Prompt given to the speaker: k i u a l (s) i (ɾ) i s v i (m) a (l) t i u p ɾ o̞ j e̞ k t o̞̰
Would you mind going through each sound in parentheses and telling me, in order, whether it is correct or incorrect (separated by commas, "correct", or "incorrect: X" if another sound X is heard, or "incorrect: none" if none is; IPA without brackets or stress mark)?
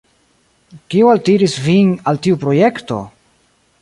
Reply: incorrect: t, correct, incorrect: n, correct